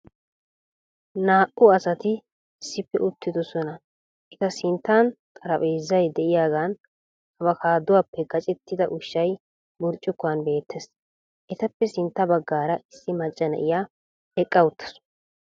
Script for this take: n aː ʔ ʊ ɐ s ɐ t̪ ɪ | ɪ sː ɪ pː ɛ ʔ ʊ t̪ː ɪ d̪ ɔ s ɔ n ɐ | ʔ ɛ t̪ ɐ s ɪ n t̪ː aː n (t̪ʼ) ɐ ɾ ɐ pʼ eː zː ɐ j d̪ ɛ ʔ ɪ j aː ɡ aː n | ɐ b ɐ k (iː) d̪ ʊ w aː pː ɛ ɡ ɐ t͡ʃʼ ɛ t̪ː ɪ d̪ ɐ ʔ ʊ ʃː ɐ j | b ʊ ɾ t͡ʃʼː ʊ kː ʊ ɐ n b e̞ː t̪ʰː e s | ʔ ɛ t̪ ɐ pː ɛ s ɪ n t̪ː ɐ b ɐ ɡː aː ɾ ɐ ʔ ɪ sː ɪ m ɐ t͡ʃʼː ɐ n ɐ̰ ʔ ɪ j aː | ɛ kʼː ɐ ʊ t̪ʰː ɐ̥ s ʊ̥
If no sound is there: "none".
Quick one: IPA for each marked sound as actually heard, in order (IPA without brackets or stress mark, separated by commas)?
t̪ʼ, aː